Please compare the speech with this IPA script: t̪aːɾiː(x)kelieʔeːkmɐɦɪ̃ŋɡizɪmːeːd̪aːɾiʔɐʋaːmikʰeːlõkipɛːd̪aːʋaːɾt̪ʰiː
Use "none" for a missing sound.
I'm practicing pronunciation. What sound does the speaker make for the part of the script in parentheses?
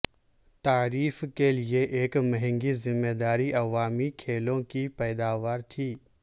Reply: f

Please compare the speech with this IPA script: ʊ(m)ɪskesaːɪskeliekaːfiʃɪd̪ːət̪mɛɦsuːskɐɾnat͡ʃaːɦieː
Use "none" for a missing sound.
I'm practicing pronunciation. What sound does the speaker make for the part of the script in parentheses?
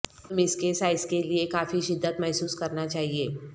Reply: m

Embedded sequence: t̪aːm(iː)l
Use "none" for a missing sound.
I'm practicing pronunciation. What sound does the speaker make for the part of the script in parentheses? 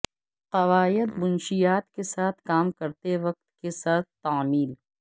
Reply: iː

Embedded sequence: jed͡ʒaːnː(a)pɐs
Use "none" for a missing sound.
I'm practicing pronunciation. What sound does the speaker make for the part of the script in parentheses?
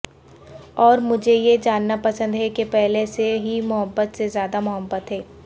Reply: a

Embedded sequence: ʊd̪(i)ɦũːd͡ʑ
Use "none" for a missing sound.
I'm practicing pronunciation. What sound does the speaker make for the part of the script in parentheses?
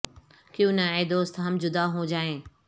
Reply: a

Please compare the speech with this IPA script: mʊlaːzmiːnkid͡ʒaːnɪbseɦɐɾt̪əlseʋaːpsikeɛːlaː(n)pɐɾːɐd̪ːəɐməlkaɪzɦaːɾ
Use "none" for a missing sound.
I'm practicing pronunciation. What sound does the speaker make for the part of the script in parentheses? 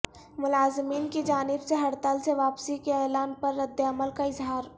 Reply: n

